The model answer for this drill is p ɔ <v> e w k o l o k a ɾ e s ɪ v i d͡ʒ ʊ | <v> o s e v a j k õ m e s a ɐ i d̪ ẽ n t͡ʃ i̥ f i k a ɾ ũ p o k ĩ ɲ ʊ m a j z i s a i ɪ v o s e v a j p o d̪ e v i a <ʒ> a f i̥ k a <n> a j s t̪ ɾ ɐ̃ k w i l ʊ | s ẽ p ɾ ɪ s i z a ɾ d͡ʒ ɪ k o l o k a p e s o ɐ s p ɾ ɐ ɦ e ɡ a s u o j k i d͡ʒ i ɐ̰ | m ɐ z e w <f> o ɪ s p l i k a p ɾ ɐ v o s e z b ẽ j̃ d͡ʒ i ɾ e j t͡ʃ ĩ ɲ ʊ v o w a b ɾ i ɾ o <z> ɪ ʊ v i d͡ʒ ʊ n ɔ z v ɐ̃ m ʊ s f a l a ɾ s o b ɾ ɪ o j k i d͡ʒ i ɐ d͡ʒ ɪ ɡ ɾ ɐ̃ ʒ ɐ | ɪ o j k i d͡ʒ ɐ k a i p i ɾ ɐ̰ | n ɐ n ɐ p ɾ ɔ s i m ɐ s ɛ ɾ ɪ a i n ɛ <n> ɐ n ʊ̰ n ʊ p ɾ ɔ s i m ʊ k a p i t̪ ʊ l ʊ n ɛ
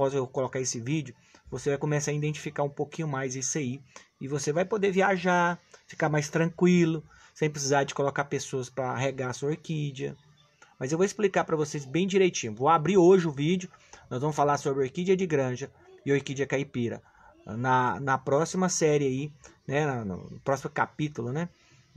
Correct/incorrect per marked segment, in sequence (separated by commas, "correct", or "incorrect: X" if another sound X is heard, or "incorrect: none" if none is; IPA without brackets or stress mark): incorrect: z, correct, correct, incorrect: m, incorrect: v, incorrect: ʒ, correct